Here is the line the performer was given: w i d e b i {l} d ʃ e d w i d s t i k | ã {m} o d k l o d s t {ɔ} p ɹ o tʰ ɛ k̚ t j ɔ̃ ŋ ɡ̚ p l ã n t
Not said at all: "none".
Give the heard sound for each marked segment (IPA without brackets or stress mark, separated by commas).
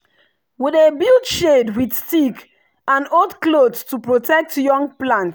l, n, u